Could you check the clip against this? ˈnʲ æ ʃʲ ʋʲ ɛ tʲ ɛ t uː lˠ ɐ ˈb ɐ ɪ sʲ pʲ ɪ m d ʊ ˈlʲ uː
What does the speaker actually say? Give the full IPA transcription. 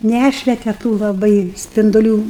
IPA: ˈnʲ æ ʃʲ ʋʲ ɛ tʲ ɛ t uː lˠ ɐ ˈb ɐ ɪ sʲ pʲ ɪ n d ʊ ˈlʲ uː